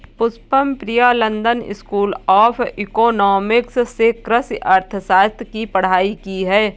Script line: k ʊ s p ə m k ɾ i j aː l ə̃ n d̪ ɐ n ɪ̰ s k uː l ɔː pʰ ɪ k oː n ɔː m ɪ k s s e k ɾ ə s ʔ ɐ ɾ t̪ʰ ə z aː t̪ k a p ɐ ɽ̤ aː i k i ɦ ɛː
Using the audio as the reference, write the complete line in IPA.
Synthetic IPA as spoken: p ʊ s p ə m p ɾ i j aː l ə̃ n d̪ ə n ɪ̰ s k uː l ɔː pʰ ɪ k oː n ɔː m ɪ k s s e k ɾ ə s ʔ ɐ ɾ t̪ʰ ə s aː t̪ k i p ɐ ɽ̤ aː i k i ɦ ɛː